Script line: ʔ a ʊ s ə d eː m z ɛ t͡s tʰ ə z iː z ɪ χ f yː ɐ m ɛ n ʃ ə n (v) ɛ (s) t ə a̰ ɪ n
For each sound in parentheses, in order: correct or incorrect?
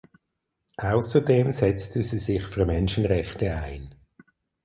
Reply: incorrect, incorrect

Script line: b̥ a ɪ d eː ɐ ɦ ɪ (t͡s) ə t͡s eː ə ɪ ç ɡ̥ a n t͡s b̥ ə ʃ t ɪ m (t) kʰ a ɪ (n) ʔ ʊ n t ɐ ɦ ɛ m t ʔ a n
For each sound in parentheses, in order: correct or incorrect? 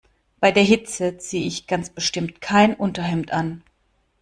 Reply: correct, correct, correct

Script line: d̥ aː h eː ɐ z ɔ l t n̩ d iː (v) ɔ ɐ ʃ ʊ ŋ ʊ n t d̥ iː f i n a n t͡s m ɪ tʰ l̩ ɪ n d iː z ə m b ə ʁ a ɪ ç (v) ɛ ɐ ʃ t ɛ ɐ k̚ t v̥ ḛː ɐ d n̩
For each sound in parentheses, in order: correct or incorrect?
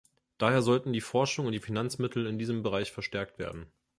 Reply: incorrect, incorrect

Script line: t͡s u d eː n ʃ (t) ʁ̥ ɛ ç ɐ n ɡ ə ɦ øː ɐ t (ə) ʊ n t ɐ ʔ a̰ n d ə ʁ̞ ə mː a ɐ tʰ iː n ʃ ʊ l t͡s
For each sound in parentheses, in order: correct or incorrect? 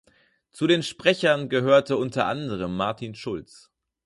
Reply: incorrect, correct

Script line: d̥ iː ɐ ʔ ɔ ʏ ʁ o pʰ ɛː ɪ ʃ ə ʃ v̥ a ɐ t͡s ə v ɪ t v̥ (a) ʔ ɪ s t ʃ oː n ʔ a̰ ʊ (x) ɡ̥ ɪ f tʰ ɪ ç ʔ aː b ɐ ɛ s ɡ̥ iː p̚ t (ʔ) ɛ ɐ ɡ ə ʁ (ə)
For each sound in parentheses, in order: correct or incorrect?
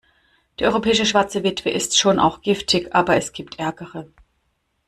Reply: incorrect, correct, correct, correct

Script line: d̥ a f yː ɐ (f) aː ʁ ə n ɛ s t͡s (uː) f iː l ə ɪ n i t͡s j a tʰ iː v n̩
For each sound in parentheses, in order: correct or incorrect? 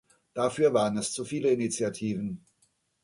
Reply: incorrect, incorrect

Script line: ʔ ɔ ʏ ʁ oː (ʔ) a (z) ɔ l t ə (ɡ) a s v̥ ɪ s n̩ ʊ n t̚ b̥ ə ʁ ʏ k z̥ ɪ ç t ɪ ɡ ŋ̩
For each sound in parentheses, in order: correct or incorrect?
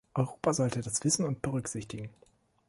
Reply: incorrect, correct, incorrect

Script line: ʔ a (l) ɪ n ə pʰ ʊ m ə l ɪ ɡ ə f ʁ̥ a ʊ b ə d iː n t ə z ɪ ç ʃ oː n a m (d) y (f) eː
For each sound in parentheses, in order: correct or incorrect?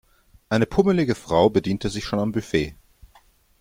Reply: incorrect, incorrect, correct

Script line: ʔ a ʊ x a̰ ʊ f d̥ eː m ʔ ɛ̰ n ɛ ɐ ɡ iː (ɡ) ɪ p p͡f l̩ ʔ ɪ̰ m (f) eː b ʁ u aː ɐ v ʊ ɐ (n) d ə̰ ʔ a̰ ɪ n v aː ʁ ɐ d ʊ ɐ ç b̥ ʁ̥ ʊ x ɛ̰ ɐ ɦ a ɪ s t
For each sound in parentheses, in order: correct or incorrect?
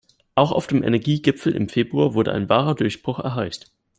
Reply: correct, correct, incorrect

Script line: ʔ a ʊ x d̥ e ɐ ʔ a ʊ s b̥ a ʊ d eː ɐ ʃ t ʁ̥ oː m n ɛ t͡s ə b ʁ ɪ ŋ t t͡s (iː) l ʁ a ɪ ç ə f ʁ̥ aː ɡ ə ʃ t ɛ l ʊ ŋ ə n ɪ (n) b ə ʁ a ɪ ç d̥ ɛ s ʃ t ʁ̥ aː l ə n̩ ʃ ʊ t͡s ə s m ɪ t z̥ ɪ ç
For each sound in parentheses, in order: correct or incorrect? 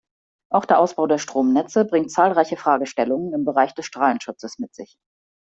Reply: incorrect, incorrect

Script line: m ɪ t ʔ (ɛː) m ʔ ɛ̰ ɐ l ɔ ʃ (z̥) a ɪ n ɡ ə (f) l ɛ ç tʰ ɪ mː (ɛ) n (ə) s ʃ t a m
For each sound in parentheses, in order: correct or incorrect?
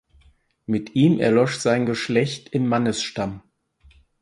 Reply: incorrect, correct, incorrect, incorrect, correct

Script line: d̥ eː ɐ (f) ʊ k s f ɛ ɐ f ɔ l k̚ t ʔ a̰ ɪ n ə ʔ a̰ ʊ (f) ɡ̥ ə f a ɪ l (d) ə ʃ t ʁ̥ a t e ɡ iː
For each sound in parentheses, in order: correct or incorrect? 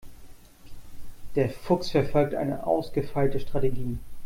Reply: correct, incorrect, incorrect

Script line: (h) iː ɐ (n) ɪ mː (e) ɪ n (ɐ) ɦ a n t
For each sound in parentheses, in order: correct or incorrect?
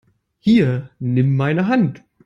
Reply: correct, correct, incorrect, incorrect

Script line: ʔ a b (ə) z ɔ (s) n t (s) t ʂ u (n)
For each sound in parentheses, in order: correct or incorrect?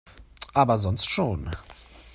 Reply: incorrect, incorrect, correct, correct

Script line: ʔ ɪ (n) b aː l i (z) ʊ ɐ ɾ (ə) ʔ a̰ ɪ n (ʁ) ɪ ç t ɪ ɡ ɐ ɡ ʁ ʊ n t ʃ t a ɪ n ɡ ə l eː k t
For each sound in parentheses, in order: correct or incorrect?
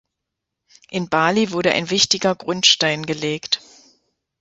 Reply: correct, incorrect, correct, incorrect

